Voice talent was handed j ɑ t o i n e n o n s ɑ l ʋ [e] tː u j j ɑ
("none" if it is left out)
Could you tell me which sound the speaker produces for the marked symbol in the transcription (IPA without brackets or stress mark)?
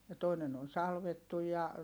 e